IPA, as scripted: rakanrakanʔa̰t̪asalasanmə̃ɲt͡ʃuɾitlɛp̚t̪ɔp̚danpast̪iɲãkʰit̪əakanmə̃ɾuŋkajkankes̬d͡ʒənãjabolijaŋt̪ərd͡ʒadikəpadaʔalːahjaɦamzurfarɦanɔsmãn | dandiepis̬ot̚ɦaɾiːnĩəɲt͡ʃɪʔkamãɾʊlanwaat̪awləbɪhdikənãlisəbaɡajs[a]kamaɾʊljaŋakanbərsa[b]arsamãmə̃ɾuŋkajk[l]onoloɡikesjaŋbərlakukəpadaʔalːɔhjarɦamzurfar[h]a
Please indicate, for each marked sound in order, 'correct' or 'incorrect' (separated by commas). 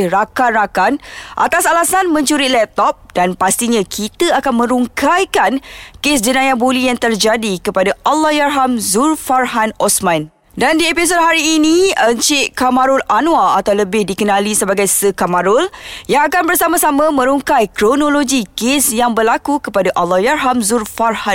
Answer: incorrect, incorrect, incorrect, correct